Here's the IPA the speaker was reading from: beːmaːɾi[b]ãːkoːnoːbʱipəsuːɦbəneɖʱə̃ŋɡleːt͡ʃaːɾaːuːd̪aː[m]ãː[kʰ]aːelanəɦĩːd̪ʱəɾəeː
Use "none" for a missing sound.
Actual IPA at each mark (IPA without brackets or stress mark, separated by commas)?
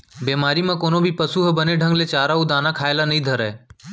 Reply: m, n, kʰ